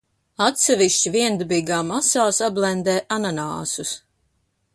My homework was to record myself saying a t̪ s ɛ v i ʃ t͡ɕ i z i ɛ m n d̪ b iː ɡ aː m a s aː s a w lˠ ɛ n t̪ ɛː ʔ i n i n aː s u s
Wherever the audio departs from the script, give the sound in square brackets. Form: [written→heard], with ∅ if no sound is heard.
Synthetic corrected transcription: a t̪ s ɛ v i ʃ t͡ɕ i [z→v] i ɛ [m→∅] n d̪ b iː ɡ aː m a s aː s a [w→b] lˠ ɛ n [t̪→d̪] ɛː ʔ [i→a] n [i→a] n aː s u s